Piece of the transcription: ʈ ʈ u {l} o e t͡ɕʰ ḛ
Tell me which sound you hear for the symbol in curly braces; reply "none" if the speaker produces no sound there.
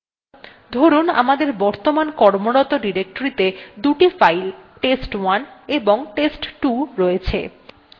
ɾ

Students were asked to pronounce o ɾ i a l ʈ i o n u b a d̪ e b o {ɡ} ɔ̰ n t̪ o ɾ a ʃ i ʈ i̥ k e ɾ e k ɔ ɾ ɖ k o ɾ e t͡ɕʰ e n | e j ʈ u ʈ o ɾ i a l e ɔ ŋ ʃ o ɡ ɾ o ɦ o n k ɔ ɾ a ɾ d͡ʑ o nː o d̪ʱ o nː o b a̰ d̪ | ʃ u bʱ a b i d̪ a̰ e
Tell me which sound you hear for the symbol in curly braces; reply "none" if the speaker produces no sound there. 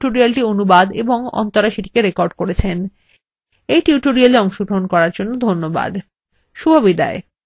ŋ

